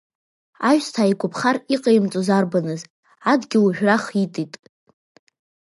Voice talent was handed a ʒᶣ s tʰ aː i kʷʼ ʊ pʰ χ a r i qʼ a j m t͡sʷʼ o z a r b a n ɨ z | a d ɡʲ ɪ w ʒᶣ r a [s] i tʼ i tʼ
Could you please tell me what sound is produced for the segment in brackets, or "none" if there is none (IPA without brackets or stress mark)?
χ